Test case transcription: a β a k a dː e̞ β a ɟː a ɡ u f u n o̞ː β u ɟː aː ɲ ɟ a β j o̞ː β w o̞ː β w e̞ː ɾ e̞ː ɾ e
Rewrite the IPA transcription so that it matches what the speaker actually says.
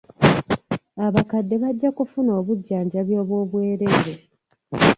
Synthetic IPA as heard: a β a k a dː e̞ β a ɟː a k u f u n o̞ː β u ɟː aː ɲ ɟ a β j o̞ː β w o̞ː β w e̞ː ɾ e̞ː ɾ e